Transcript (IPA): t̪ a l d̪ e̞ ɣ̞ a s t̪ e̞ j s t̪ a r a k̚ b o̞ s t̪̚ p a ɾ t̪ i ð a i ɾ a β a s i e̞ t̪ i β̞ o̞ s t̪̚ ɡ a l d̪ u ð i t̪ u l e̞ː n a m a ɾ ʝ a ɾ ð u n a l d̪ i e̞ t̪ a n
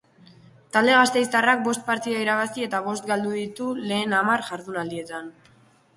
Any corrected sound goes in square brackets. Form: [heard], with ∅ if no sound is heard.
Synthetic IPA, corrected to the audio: t̪ a l d̪ e̞ ɣ̞ a s t̪ e̞ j s t̪ a r a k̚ b o̞ s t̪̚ p a ɾ t̪ i ð a i ɾ a β a s i e̞ t̪ [a] β̞ o̞ s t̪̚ ɡ a l d̪ u ð i t̪ u l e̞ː n a m a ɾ ʝ a ɾ ð u n a l d̪ i e̞ t̪ a n